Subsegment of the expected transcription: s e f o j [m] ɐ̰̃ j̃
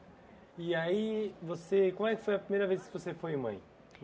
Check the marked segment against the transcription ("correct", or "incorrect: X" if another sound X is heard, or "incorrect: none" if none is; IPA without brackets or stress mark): correct